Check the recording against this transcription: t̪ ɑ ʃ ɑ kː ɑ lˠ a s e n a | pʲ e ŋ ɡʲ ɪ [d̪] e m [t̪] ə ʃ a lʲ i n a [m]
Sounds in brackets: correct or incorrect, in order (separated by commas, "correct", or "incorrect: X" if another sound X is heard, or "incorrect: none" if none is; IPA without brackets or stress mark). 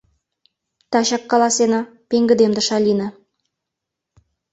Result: correct, incorrect: d̪, incorrect: none